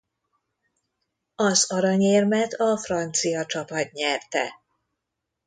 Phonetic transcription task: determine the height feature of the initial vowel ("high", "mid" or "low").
low